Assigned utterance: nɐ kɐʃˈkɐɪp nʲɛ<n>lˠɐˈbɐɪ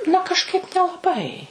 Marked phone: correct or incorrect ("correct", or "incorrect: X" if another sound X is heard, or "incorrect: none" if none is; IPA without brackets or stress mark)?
incorrect: none